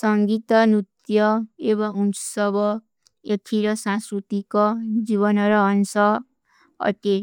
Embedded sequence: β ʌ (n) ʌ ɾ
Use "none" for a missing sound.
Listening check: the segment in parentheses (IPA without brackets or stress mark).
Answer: n